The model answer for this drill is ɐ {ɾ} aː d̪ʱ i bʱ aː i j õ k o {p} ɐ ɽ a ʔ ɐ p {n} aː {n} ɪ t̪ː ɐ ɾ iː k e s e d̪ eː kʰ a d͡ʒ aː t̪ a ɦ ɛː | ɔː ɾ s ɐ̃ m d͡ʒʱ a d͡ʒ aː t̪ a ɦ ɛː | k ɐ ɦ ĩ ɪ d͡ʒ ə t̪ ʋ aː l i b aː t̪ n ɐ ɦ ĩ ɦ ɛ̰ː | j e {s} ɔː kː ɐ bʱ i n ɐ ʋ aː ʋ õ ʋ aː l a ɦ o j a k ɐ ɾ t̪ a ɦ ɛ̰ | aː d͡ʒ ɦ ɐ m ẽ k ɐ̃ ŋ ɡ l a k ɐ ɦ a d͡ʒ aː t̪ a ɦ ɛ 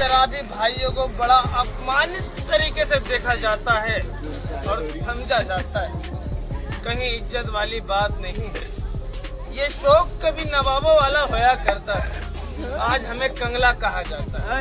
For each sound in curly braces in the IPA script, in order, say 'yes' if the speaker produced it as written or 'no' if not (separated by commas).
yes, no, no, yes, no